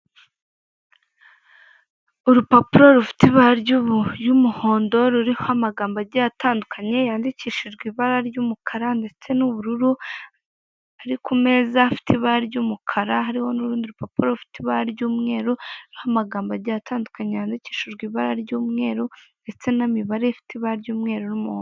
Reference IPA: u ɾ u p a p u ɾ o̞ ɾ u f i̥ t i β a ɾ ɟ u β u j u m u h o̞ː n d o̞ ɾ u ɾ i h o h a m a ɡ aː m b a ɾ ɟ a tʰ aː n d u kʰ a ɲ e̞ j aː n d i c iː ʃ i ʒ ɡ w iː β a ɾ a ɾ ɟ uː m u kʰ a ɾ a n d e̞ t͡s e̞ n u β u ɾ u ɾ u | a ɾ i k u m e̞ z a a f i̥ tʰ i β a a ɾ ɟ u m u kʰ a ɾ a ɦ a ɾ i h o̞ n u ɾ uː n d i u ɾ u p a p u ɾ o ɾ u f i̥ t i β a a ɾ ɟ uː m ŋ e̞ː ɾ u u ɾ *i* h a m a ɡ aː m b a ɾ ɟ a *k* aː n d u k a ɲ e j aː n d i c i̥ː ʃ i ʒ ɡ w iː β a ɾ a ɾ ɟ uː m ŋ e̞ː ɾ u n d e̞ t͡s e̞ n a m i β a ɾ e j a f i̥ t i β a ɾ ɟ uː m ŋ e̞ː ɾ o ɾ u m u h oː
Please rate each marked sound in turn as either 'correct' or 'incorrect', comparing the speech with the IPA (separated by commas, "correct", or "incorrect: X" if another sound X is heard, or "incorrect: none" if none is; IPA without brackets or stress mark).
correct, incorrect: t